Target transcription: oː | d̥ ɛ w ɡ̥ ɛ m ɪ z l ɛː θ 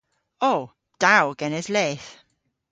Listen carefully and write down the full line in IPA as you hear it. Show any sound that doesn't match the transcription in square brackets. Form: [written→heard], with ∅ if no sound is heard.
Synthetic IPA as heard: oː | d̥ [ɛ→a] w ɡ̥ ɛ [m→n] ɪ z l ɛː θ